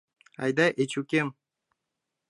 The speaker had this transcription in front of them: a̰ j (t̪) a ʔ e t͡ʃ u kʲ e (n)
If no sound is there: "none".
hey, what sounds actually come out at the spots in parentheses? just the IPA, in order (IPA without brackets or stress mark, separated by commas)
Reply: d̪, m